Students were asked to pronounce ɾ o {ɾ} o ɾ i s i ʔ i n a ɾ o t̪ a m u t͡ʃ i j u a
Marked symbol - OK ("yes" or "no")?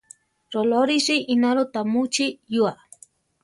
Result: no